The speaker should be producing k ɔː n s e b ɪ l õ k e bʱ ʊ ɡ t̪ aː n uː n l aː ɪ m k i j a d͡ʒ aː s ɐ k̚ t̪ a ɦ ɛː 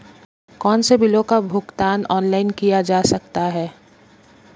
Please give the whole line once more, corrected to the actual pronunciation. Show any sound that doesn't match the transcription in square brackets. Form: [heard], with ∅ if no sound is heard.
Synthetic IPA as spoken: k ɔː n s e b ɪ l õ k [a] bʱ ʊ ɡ t̪ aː n [ɔː] n l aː ɪ [n] k i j a d͡ʒ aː s ɐ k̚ t̪ a ɦ ɛː

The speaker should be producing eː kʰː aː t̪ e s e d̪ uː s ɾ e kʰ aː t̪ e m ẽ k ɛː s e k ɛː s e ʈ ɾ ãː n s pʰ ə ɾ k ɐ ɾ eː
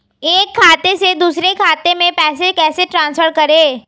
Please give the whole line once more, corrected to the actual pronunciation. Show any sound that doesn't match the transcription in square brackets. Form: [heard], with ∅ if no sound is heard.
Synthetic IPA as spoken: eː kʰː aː t̪ e s e d̪ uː s ɾ e kʰ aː t̪ e m ẽ [p] ɛː s e k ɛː s e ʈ ɾ ãː n s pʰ ə ɾ k ɐ ɾ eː

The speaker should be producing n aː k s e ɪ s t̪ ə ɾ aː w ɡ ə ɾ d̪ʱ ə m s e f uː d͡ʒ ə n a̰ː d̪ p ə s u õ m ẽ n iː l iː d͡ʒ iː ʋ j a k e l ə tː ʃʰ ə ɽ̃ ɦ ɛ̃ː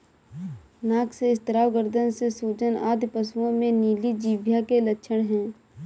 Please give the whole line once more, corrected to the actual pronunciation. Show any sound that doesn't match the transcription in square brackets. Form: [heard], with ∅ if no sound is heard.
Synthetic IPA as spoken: n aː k s e ɪ s t̪ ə ɾ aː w ɡ ə ɾ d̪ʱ ə [n] s e [s] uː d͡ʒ ə n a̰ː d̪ p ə s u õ m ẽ n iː l [i] d͡ʒ iː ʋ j a k e l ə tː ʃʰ ə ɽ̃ ɦ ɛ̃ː

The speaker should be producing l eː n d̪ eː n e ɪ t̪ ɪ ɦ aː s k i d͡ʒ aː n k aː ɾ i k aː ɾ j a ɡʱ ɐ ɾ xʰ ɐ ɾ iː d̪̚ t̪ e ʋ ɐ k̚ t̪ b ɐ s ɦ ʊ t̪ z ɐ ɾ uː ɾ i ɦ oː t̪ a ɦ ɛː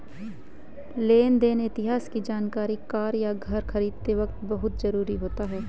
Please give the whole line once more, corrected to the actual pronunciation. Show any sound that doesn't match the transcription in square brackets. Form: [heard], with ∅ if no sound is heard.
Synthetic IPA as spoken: l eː n d̪ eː n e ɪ t̪ ɪ ɦ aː s k i d͡ʒ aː n k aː ɾ i k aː ɾ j a ɡʱ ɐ ɾ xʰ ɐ ɾ iː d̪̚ t̪ e ʋ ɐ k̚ t̪ b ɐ [∅] ɦ ʊ t̪ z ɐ ɾ uː ɾ i ɦ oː t̪ a ɦ ɛː

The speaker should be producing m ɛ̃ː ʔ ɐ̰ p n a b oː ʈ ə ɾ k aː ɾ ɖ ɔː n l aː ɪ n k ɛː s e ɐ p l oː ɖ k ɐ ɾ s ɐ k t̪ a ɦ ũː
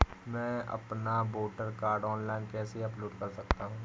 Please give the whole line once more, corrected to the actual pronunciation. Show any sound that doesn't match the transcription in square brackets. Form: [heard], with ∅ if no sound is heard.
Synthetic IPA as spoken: m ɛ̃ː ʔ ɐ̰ p n a b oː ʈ ə ɾ k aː ɾ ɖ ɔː n l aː ɪ n k ɛː s e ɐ p l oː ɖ k ɐ ɾ s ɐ k t̪ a ɦ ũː

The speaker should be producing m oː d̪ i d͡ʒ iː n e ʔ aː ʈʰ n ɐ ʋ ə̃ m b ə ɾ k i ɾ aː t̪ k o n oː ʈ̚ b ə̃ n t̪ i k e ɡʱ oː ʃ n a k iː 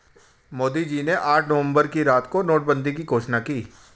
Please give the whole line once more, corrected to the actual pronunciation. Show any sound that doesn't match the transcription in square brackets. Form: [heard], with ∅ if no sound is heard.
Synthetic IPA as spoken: m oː d̪ i d͡ʒ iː n e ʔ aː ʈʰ n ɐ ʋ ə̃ m b ə ɾ k i ɾ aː t̪ k o n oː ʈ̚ b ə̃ n [d̪] i k [i] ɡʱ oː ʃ n a k iː

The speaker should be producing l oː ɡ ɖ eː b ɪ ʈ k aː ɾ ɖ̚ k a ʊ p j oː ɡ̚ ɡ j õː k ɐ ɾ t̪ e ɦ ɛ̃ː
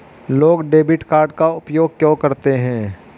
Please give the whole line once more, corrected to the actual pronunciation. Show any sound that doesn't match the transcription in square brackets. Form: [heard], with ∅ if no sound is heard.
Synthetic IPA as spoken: l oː ɡ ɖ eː b ɪ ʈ k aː ɾ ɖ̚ k a ʊ p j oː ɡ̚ [k] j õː k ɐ ɾ t̪ e ɦ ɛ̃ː

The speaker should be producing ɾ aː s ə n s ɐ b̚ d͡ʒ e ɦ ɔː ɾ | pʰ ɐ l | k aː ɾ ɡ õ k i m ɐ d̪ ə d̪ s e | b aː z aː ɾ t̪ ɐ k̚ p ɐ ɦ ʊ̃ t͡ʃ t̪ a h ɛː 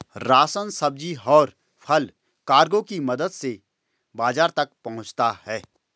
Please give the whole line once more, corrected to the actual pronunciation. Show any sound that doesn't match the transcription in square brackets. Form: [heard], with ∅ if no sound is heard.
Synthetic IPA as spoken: ɾ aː s ə n s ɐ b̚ d͡ʒ [i] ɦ ɔː ɾ | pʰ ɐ l | k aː ɾ ɡ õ k i m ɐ d̪ ə d̪ s e | b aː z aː ɾ t̪ ɐ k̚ p ɐ ɦ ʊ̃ t͡ʃ t̪ a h ɛː

